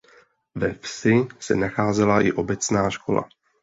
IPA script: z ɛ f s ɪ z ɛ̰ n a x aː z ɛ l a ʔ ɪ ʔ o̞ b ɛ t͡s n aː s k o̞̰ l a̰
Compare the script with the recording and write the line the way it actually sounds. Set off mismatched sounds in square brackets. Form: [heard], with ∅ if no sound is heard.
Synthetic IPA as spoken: [v] ɛ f s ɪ [s] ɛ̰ n a x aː z ɛ l a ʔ ɪ ʔ o̞ b ɛ t͡s n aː [ʃ] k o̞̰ l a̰